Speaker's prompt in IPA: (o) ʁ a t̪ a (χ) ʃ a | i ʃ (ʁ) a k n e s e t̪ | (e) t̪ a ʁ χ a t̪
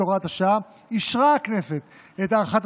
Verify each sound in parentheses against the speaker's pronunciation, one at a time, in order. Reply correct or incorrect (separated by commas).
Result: correct, incorrect, correct, correct